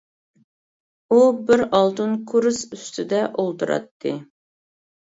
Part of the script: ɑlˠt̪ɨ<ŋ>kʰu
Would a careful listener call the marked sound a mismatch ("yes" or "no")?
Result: yes